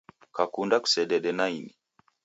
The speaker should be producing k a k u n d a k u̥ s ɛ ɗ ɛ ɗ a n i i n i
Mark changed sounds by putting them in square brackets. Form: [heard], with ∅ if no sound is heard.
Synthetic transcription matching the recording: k a k u n d a k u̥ s ɛ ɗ ɛ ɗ [ɛ] n [a] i n i